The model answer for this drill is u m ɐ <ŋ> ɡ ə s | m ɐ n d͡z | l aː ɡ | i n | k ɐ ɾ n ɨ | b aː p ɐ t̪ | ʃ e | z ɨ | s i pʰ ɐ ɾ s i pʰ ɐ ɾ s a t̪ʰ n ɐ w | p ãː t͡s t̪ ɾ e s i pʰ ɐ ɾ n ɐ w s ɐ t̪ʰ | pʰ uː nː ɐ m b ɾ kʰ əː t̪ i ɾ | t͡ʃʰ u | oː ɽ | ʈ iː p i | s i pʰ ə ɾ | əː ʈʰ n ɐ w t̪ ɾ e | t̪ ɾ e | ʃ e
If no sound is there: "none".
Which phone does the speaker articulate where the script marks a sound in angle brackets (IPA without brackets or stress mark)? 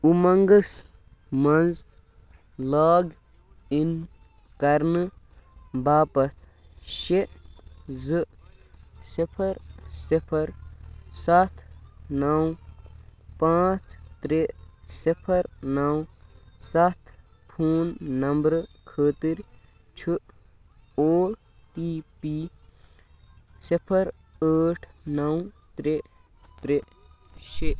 ŋ